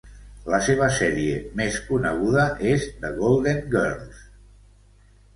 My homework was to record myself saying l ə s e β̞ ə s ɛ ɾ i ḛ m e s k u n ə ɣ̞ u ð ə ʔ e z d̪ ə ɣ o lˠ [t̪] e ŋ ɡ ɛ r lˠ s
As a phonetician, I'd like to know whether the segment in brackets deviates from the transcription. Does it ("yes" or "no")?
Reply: yes